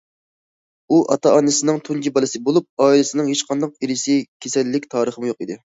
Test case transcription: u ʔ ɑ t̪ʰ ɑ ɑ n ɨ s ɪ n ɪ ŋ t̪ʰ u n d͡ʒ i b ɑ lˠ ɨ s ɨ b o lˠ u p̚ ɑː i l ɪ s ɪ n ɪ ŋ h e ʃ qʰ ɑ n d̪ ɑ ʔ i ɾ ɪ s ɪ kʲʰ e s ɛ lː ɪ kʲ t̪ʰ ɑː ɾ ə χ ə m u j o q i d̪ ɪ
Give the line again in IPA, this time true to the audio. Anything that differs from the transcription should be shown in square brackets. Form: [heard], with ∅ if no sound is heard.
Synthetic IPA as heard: u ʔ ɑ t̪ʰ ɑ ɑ n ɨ s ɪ n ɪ ŋ t̪ʰ u n d͡ʒ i b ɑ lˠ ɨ s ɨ b o lˠ u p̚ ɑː i l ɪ s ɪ n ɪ ŋ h e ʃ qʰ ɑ n d̪ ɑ [q] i ɾ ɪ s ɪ kʲʰ e s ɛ lː ɪ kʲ t̪ʰ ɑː ɾ ə χ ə m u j o q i d̪ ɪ